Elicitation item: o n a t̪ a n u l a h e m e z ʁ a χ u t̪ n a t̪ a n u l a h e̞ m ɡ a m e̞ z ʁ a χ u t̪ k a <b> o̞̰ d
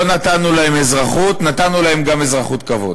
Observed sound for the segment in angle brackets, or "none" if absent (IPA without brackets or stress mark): v